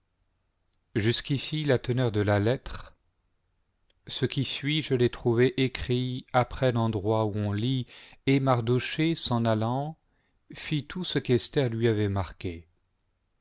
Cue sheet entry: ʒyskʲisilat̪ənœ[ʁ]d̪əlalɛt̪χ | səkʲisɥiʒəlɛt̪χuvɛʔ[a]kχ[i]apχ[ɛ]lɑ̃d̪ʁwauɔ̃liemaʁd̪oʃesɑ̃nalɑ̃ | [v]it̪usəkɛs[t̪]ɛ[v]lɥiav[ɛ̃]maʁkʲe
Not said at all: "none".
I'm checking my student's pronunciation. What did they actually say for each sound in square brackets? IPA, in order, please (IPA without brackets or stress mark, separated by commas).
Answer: ʁ, e, i, ɛ, f, t̪, ʁ, ɛ